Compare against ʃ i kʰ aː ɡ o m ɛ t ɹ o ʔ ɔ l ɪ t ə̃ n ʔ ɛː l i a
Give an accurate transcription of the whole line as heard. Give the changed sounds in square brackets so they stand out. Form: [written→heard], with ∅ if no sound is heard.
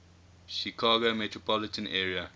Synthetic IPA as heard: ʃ i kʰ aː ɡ o m ɛ t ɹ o [ʔ→p] ɔ l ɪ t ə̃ n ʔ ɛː [l→ɹ] i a